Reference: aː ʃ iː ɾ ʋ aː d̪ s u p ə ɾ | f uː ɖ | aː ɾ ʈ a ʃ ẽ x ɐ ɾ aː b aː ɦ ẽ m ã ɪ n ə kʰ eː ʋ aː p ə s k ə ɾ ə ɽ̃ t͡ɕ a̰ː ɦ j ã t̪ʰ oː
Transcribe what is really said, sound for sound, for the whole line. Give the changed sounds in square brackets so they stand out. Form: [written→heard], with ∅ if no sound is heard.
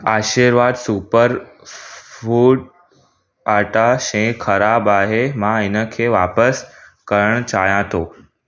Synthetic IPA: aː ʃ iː ɾ ʋ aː d̪ s u p ə ɾ | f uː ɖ | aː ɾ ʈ a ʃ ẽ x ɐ ɾ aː b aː ɦ [ẽ→e] m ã ɪ n ə kʰ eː ʋ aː p ə s k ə ɾ ə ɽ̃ t͡ɕ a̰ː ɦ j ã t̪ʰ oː